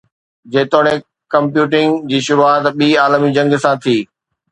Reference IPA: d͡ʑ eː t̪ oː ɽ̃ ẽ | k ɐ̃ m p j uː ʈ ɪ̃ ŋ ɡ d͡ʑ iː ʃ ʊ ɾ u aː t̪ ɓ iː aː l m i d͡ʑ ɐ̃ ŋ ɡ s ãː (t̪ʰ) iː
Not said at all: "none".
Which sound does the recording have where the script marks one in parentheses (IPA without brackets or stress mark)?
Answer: t̪ʰ